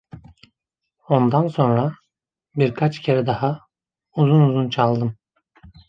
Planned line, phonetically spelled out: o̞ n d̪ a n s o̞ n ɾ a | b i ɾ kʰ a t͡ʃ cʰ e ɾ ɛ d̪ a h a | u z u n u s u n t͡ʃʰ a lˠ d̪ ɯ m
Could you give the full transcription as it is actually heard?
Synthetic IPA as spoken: o̞ n d̪ a n s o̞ n ɾ a | b i ɾ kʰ a t͡ʃ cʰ e ɾ ɛ d̪ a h a | u z u n u z u n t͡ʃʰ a lˠ d̪ ɯ m